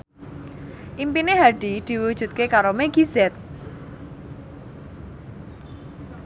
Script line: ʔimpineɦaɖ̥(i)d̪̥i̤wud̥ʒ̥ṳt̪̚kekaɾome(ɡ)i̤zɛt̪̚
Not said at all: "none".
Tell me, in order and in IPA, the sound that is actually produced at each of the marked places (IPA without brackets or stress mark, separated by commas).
i, ɡ